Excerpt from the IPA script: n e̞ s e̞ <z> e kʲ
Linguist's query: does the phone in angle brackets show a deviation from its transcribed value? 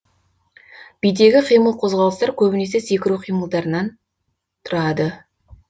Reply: yes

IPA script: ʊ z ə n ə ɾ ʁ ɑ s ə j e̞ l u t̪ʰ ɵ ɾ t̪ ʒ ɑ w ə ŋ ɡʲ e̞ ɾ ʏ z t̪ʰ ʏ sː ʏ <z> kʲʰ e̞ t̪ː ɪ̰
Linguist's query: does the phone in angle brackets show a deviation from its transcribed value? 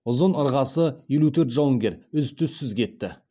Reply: no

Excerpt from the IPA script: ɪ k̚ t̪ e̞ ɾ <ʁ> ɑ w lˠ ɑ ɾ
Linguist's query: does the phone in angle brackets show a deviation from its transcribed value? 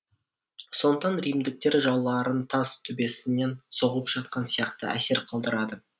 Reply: yes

